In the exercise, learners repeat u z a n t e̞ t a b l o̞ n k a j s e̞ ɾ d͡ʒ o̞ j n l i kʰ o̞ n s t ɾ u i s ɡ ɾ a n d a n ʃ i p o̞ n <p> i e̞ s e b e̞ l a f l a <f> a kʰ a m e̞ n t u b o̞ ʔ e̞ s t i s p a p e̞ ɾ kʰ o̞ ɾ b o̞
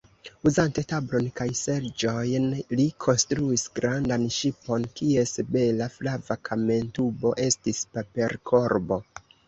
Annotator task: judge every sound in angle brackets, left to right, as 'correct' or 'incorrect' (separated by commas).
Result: incorrect, incorrect